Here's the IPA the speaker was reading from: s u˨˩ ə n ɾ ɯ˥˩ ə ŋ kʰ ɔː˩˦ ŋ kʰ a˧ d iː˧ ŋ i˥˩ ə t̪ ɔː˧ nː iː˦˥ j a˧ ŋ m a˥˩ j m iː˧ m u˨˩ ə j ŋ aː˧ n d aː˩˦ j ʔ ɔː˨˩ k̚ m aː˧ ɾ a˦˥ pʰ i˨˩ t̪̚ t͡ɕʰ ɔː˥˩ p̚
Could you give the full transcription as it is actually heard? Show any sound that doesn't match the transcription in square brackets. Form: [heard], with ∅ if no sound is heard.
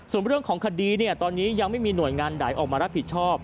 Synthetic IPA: s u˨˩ ə n ɾ ɯ˥˩ ə ŋ kʰ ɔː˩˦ ŋ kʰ a˧ d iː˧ [n] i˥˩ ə t̪ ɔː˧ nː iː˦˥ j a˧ ŋ m a˥˩ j m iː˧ [n] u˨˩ ə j ŋ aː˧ n d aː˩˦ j ʔ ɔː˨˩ k̚ m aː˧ ɾ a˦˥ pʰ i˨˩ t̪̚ t͡ɕʰ ɔː˥˩ p̚